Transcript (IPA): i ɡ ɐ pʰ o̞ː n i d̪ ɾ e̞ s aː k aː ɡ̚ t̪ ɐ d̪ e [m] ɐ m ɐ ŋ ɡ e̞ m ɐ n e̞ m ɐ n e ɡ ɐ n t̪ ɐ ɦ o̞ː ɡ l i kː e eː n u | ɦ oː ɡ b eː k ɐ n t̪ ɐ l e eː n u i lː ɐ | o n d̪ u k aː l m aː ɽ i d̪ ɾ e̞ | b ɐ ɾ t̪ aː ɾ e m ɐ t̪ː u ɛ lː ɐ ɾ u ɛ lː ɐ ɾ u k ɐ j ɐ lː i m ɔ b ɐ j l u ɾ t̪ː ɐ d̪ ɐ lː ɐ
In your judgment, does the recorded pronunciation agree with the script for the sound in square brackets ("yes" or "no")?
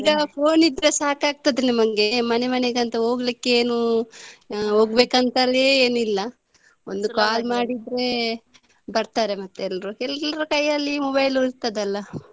no